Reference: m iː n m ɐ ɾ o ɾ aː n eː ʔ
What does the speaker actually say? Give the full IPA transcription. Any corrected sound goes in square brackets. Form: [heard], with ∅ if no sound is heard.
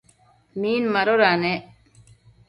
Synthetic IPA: m iː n m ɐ ɾ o ɾ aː n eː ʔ